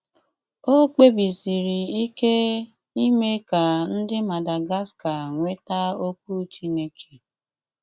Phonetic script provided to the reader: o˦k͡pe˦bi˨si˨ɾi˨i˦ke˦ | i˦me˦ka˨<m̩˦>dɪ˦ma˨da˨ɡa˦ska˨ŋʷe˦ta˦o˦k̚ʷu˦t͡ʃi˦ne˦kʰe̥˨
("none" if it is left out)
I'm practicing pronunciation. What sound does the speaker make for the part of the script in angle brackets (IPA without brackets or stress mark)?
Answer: n̩˦